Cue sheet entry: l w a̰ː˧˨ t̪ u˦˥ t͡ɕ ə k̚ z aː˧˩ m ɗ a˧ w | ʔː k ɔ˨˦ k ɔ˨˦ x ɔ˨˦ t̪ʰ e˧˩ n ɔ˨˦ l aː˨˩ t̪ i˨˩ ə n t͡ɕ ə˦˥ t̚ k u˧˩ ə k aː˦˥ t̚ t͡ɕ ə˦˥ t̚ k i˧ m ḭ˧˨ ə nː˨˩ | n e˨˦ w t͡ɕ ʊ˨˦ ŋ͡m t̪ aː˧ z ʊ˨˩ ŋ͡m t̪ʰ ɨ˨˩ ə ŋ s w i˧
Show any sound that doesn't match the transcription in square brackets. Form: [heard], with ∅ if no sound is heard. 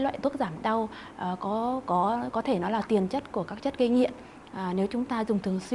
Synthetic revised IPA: l w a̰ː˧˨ t̪ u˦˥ [∅] ə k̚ z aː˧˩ m ɗ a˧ w | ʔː k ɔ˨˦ k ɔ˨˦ [k] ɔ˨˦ t̪ʰ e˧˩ n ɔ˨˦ l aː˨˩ t̪ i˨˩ ə n t͡ɕ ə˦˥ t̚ k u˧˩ ə k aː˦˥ [k̚] t͡ɕ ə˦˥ t̚ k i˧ [ŋ] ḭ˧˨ ə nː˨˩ | n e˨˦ w t͡ɕ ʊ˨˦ ŋ͡m t̪ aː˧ z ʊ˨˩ ŋ͡m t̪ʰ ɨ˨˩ ə ŋ s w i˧